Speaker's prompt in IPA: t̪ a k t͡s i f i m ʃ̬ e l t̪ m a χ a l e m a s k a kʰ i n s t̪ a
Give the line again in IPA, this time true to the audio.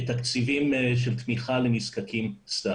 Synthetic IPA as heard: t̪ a k t͡s i v i m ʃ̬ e l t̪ m i χ a l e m i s k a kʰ i m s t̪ a